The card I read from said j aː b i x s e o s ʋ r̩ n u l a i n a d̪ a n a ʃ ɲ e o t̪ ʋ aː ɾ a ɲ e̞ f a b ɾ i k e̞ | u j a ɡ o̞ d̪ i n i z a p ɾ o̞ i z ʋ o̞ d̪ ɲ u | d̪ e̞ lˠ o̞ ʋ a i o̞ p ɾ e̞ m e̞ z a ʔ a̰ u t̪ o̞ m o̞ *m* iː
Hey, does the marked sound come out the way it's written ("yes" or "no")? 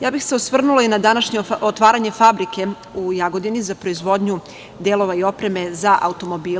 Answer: no